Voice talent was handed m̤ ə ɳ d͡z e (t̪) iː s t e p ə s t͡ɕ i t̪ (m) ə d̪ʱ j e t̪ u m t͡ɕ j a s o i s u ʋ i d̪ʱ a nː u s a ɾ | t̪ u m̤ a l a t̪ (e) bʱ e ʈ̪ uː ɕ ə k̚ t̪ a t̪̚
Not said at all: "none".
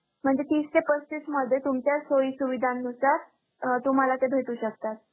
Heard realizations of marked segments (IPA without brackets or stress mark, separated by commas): t̪, m, e